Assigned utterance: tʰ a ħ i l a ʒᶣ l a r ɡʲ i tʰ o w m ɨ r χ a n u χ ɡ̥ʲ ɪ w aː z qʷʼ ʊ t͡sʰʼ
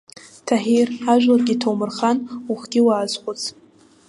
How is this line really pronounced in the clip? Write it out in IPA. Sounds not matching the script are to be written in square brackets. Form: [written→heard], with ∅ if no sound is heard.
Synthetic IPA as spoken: tʰ a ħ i [l→r] a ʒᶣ l a r ɡʲ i tʰ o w m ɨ r χ a n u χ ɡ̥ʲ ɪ w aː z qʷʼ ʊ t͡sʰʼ